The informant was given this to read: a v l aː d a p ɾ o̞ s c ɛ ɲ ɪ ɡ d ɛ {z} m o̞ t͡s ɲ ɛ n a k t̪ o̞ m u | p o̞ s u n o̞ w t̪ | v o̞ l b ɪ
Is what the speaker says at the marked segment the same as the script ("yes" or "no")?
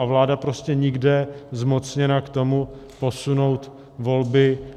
yes